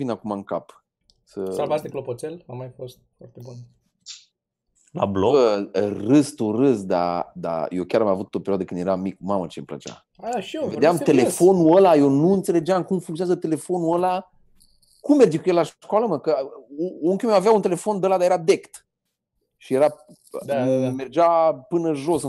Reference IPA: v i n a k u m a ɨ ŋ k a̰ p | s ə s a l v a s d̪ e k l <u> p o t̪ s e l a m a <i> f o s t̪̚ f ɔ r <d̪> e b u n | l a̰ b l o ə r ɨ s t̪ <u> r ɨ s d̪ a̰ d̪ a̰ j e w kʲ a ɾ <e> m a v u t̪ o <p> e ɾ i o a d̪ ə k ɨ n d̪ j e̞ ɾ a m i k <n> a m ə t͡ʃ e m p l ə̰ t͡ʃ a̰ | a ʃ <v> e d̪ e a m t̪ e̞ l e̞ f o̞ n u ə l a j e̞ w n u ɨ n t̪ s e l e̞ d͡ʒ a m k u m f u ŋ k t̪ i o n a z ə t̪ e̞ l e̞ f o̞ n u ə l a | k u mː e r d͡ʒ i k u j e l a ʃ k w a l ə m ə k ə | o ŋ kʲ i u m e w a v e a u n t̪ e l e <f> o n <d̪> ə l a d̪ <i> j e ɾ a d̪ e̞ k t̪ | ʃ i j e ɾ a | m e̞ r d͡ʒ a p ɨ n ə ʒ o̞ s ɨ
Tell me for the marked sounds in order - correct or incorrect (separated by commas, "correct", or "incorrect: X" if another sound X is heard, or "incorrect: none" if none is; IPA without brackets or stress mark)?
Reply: incorrect: o, incorrect: j, incorrect: t̪, correct, incorrect: a, correct, incorrect: m, correct, correct, correct, incorrect: a